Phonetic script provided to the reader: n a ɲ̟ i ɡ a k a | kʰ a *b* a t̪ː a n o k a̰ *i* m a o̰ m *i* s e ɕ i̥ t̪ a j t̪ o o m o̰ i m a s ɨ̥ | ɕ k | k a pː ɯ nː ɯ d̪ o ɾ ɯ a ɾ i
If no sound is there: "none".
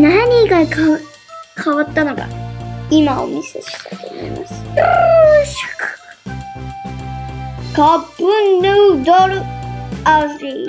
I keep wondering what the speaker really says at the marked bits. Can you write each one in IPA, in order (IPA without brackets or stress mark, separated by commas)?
β, i, i